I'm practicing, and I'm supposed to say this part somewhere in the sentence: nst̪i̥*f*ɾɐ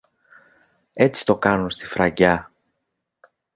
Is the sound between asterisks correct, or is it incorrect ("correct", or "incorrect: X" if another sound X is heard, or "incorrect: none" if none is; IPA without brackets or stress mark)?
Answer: correct